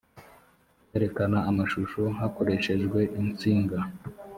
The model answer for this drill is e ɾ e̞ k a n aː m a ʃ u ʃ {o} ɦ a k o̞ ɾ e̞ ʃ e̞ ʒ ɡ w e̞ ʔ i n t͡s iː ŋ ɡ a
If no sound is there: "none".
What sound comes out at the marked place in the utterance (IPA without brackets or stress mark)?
o